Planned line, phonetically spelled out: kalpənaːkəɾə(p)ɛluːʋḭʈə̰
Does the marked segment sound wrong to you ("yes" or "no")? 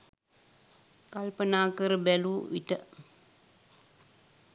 yes